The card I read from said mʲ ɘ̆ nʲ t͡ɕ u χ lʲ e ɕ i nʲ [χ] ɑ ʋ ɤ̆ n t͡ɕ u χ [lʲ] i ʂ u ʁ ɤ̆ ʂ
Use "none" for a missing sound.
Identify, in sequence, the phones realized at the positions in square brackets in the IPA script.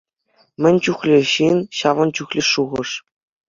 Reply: ɕ, lʲ

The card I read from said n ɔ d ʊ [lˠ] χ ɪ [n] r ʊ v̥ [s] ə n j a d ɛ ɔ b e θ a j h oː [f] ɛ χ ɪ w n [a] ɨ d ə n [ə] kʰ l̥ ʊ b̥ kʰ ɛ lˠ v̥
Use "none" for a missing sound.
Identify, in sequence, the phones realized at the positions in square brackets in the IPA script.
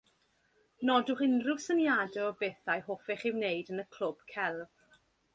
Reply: none, n, s, f, e, ə

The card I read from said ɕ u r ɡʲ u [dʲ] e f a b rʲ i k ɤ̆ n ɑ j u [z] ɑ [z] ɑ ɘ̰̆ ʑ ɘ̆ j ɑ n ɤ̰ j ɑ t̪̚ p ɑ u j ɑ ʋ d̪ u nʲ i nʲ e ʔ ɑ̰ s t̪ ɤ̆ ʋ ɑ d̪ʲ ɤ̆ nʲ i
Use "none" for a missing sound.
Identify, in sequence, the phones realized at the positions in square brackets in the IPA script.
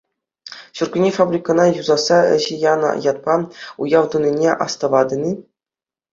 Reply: nʲ, z, s

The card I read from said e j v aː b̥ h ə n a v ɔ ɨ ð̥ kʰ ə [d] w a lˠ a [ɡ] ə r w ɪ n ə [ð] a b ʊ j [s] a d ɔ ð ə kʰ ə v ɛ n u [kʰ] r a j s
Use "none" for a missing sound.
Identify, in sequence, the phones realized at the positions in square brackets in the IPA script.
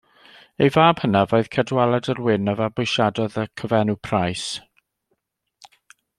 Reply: d, d, v, ʃ, pʰ

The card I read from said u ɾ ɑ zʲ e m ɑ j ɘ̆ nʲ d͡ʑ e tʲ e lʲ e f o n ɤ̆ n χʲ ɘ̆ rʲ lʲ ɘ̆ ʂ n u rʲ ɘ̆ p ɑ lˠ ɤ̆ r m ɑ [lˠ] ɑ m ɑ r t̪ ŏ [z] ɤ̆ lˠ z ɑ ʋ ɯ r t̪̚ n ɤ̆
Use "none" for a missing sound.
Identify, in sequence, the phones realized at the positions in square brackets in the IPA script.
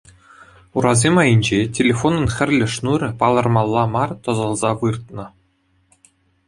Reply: lˠː, z

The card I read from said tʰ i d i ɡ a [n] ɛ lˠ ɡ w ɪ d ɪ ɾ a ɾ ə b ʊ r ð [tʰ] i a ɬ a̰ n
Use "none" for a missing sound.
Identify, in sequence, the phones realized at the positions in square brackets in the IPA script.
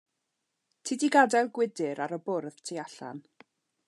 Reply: d, tʰ

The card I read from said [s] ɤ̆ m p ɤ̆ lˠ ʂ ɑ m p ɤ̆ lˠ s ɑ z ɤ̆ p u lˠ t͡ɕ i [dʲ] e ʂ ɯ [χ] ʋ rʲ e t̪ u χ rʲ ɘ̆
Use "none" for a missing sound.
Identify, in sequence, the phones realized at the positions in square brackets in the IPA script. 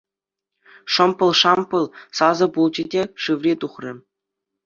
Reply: ʂ, dʲ, none

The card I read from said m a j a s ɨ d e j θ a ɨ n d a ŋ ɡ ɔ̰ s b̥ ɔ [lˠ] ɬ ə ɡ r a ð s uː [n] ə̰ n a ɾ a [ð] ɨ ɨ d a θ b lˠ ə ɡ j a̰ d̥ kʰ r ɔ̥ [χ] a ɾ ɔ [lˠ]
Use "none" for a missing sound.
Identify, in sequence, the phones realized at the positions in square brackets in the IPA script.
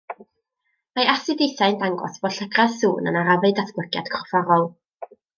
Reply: none, n, v, f, lˠ

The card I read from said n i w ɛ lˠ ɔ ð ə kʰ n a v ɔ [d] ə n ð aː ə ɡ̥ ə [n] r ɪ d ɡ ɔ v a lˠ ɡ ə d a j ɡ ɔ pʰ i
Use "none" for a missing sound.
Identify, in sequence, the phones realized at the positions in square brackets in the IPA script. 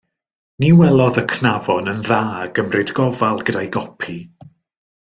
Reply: n, m

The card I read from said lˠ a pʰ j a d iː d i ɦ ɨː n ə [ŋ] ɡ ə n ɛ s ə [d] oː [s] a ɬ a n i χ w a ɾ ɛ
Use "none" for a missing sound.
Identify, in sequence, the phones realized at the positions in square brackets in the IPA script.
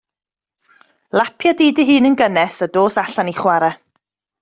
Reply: n, d, s

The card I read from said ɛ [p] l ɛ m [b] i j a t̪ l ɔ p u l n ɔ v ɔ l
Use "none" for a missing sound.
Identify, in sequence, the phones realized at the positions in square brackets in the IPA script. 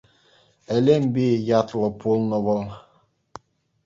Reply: none, b

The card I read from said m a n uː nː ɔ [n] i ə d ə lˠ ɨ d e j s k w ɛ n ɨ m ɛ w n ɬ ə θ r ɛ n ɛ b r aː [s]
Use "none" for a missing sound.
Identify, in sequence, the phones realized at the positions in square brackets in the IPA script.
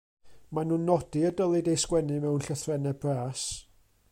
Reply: d, s

